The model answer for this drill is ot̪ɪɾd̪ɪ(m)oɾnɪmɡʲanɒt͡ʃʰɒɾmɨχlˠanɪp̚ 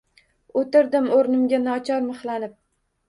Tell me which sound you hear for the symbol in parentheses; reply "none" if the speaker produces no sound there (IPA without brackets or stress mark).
m